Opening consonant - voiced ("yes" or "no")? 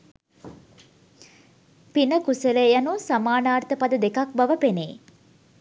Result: no